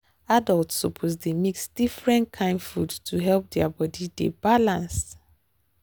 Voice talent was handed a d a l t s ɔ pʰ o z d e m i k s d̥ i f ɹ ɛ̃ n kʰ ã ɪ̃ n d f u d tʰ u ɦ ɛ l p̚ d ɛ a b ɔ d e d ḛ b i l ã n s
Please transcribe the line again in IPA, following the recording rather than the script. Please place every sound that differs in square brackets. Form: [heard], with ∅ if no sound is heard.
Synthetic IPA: a d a l t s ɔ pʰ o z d e m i k s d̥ i f ɹ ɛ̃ n kʰ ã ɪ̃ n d f u d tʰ u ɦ ɛ l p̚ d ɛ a b ɔ d [i] d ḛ b [a] l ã n s